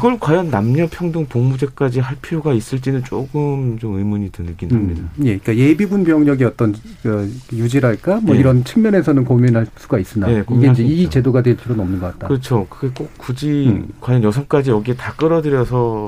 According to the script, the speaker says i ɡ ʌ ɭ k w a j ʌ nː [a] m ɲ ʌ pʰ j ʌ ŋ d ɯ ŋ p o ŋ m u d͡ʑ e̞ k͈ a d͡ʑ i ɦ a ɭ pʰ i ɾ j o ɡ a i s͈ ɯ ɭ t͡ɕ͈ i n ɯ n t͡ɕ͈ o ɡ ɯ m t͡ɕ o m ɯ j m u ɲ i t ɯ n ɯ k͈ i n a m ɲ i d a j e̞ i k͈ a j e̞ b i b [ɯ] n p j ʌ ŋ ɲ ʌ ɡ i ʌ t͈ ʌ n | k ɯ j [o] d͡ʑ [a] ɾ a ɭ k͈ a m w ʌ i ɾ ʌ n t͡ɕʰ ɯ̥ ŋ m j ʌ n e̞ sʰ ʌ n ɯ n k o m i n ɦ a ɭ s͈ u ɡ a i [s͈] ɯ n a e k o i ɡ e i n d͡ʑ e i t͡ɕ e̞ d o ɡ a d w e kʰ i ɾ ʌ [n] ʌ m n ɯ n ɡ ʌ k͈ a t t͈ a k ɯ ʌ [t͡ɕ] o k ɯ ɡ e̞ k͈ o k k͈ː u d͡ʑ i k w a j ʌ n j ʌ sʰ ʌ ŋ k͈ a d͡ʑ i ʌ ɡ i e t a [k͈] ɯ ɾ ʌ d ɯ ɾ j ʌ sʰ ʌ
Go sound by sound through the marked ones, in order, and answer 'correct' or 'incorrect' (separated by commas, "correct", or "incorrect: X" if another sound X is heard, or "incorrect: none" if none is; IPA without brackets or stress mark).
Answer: correct, incorrect: u, incorrect: u, incorrect: i, correct, correct, incorrect: t͡ɕʰ, correct